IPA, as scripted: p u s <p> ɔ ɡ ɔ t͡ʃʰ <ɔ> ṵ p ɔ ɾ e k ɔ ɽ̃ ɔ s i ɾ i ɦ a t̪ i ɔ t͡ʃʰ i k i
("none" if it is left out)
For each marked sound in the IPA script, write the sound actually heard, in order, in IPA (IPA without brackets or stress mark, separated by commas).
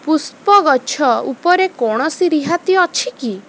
p, ɔ